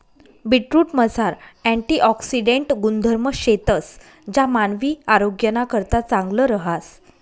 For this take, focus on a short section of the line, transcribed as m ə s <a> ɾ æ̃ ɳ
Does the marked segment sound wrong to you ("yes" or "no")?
no